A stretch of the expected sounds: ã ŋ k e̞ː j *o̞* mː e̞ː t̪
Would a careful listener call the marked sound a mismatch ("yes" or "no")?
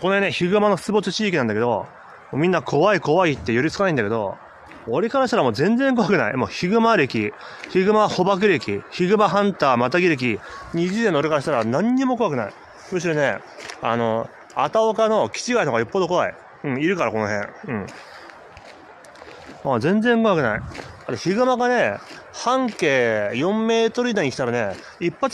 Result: yes